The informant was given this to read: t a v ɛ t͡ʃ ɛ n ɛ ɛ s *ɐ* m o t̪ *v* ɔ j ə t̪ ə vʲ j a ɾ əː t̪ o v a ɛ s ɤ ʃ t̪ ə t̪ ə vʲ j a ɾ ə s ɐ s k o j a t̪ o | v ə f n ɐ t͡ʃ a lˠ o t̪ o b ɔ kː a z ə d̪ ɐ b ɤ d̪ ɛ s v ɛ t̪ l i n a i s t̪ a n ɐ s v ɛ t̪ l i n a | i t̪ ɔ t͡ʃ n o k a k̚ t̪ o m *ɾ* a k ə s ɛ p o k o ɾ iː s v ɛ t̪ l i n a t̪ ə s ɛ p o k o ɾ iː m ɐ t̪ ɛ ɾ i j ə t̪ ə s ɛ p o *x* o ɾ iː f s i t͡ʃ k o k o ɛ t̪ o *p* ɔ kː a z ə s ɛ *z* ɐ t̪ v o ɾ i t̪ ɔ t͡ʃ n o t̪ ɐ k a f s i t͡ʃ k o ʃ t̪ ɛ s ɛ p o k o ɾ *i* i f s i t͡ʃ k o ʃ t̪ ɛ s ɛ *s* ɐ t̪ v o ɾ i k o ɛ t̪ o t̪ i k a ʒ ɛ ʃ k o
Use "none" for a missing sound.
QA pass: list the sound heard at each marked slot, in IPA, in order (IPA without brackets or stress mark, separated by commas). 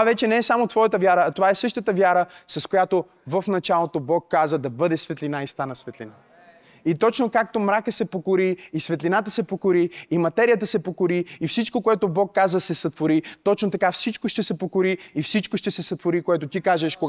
a, v, ɾ, k, b, s, i, s